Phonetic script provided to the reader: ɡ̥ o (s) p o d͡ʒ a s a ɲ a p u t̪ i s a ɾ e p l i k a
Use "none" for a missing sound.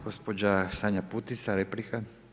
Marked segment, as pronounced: s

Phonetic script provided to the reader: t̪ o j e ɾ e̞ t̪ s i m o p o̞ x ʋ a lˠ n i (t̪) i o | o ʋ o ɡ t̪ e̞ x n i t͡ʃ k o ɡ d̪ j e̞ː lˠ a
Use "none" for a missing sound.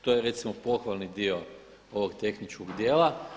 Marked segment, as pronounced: d̪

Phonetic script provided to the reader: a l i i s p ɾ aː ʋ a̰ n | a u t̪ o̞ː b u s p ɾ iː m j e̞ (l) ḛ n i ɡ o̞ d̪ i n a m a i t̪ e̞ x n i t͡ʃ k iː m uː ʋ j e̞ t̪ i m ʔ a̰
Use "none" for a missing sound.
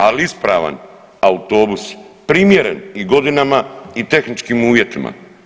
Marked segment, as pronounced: ɾ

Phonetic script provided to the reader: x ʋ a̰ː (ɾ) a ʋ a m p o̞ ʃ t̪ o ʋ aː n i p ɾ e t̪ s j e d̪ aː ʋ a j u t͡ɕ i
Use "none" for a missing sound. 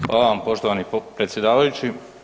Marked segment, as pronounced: l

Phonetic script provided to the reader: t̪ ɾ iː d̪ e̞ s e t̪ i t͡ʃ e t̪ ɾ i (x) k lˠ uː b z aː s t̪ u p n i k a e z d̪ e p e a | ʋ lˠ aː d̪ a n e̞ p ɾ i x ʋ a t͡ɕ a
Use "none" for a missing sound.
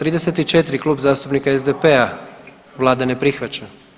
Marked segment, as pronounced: none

